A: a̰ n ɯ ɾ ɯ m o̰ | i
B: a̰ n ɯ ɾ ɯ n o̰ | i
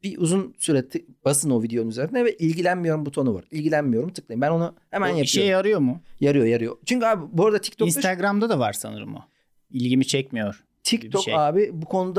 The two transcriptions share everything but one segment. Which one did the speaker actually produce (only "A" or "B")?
A